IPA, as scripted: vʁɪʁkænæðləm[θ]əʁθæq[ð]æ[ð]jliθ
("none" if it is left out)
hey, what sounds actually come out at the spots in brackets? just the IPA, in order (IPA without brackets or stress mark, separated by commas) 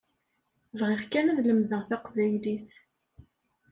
ð, v, none